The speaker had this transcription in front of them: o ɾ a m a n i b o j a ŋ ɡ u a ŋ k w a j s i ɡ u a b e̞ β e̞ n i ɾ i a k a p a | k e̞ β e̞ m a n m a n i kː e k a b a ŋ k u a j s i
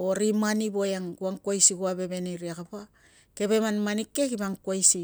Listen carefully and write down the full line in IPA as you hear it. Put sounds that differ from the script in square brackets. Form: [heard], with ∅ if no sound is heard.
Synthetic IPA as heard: o ɾ [i] m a n i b o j a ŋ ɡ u a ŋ k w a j s i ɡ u a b e̞ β e̞ n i ɾ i a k a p a | k e̞ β e̞ m a n m a n i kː e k [i] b a ŋ k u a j s i